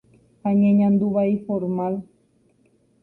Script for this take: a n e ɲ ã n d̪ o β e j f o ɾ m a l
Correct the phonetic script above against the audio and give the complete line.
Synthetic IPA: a ɲ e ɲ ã n d̪ u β a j f o ɾ m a l